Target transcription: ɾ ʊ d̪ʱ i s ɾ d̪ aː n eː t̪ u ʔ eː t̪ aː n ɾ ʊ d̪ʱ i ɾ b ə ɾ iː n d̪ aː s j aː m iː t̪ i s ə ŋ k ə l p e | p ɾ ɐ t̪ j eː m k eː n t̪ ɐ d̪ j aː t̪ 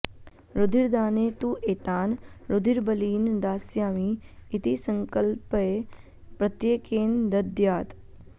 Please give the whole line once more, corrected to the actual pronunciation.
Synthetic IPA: ɾ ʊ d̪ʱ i ɾ d̪ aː n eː t̪ u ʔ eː t̪ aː n ɾ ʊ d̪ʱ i ɾ b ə l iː n d̪ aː s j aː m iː t̪ i s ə ŋ k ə l p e | p ɾ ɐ t̪ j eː k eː n d̪ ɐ d̪ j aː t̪

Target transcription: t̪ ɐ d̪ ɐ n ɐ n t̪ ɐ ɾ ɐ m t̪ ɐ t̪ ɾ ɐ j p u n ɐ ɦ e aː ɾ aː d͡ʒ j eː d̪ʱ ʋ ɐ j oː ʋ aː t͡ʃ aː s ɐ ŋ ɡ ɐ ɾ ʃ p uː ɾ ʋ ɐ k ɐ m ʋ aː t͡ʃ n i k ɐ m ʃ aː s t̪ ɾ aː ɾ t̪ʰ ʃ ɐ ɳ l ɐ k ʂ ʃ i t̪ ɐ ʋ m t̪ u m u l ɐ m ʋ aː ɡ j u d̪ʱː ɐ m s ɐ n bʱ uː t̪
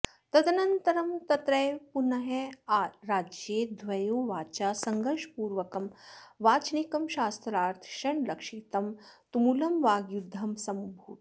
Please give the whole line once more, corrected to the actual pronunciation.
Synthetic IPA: t̪ ɐ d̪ ɐ n ɐ n t̪ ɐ ɾ ɐ m t̪ ɐ t̪ ɾ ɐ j p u n ɐ ɦ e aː ɾ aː d͡ʒ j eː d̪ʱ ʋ ɐ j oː ʋ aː t͡ʃ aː s ɐ ŋ ɡ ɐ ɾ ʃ p uː ɾ ʋ ɐ k ɐ m ʋ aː t͡ʃ n i k ɐ m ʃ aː s t̪ ɾ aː ɾ t̪ʰ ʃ ɐ ɳ l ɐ k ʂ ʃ i t̪ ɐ m t̪ u m u l ɐ m ʋ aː ɡ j u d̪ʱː ɐ m s ɐ m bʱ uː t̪

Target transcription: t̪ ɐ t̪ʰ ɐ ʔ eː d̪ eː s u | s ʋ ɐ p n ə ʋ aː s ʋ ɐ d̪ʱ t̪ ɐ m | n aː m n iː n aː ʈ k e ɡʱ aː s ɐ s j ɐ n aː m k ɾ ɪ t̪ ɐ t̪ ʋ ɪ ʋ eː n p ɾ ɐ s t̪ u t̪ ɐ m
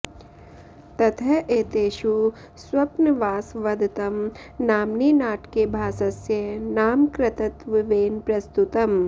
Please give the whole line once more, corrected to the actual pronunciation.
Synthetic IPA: t̪ ɐ t̪ʰ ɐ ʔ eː t̪ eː ʃ u | s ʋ ɐ p n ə ʋ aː s ʋ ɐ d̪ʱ t̪ ɐ m | n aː m n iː n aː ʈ k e bʱ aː s ɐ s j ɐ n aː m k ɾ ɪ t̪ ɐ t̪ ʋ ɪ ʋ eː n p ɾ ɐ s t̪ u t̪ ɐ m

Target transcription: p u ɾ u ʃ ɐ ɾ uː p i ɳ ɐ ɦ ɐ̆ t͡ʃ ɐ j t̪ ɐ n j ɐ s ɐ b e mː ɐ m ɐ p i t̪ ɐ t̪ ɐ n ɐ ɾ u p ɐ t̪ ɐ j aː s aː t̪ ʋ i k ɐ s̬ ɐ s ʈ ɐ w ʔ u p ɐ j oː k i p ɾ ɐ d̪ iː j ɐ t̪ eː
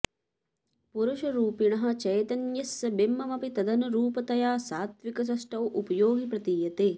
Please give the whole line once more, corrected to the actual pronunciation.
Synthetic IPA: p u ɾ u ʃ ɐ ɾ uː p i ɳ ɐ ɦ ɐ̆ t͡ʃ ɐ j t̪ ɐ n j ɐ s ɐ b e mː ɐ m ɐ p i t̪ ɐ d̪ ɐ n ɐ ɾ uː p ɐ t̪ ɐ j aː s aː t̪ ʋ i k ɐ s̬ ɐ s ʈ ɐ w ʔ u p ɐ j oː ɡ i p ɾ ɐ t̪ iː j ɐ t̪ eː

